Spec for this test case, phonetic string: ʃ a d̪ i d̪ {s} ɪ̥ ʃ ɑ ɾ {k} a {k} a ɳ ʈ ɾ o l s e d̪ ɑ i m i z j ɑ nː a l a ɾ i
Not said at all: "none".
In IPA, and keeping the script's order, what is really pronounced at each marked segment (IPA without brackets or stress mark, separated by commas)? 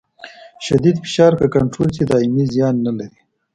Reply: f, k, k